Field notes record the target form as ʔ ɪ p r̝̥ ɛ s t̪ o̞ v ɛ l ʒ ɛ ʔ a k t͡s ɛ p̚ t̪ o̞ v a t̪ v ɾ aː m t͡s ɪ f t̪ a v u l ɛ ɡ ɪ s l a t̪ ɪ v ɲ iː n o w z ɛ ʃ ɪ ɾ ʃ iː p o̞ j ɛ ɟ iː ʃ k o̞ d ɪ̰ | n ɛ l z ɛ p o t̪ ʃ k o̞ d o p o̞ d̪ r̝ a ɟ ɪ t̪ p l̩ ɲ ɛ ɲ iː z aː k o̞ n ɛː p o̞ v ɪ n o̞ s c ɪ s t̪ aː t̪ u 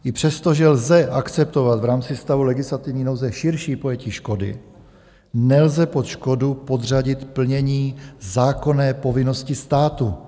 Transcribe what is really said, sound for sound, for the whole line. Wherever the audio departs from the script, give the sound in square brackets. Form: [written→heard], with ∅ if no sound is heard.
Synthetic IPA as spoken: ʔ ɪ p r̝̥ ɛ s t̪ o̞ [v→ʒ] ɛ l [ʒ→z] ɛ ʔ a k t͡s ɛ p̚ t̪ o̞ v a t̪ v ɾ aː m t͡s ɪ [f→s] t̪ a v u l ɛ ɡ ɪ s l a t̪ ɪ v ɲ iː n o w z ɛ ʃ ɪ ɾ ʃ iː p o̞ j ɛ [ɟ→c] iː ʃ k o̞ d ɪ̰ | n ɛ l z ɛ p o t̪ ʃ k o̞ d [o→u] p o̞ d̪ r̝ a ɟ ɪ t̪ p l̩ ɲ ɛ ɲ iː z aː k o̞ n ɛː p o̞ v ɪ n o̞ s c ɪ s t̪ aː t̪ u

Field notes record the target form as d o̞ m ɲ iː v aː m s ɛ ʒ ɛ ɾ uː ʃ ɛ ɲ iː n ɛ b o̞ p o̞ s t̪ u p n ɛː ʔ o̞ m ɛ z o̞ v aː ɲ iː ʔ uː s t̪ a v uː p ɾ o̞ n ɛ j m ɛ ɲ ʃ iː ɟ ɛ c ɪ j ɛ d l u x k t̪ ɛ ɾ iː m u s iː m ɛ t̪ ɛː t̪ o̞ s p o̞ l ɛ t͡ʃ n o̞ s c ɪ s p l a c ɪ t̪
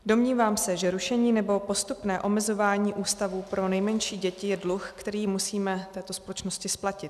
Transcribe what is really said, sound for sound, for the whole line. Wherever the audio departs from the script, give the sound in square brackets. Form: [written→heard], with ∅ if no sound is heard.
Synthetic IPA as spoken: d o̞ m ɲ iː v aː m s ɛ ʒ ɛ ɾ [uː→u] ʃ ɛ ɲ iː n ɛ b o̞ p o̞ s t̪ u p n ɛː ʔ o̞ m ɛ z o̞ v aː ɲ iː ʔ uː s t̪ a v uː p ɾ o̞ n ɛ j m ɛ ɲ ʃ iː ɟ ɛ c ɪ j ɛ d l u x k t̪ ɛ ɾ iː m u s iː m ɛ t̪ ɛː t̪ o̞ s p o̞ l ɛ t͡ʃ n o̞ s c ɪ s p l a c ɪ t̪

